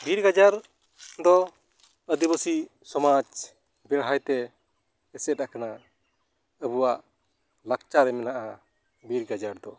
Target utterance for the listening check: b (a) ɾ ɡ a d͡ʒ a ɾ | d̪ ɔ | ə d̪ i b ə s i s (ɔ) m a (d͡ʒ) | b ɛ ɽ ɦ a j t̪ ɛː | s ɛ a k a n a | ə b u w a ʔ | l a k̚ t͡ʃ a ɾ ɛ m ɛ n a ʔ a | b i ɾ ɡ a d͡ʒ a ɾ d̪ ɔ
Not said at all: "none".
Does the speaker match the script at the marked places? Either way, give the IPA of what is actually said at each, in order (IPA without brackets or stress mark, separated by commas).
i, ɔ, d͡ʒ